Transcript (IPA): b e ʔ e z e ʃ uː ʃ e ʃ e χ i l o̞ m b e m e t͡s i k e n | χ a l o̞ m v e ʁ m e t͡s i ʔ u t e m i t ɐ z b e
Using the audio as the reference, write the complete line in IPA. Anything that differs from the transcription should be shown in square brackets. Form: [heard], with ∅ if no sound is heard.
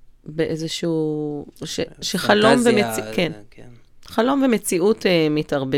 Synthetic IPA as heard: b e ʔ e z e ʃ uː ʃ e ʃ e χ [a] l o̞ m [v] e m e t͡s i k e n | χ a l o̞ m v e [∅] m e t͡s i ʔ u t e m i t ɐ [ʁ] b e